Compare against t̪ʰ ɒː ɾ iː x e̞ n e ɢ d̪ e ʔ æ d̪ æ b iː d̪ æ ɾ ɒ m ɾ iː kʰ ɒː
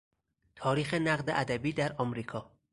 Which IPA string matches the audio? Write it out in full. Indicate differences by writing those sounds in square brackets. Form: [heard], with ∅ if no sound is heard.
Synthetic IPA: t̪ʰ ɒː ɾ iː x e̞ n [æ] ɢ d̪ e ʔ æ d̪ æ b iː d̪ æ ɾ ɒ m ɾ iː kʰ ɒː